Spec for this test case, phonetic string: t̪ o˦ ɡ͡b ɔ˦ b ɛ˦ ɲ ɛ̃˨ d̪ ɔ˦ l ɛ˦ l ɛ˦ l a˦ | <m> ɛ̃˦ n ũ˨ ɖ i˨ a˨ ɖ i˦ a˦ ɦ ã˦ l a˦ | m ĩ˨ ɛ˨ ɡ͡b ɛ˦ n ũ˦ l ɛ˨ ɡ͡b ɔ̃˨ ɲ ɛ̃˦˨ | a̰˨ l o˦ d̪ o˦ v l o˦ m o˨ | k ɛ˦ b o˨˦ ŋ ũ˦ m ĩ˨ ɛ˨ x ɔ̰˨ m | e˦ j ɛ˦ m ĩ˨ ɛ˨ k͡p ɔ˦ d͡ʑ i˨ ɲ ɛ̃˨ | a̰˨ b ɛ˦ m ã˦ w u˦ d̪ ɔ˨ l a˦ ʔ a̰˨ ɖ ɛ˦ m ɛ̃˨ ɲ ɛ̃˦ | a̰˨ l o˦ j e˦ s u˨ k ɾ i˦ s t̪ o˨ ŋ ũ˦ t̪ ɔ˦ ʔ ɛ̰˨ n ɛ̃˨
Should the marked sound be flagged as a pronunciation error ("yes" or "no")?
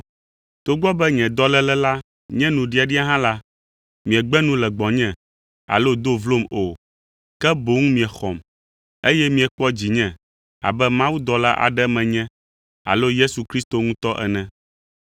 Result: yes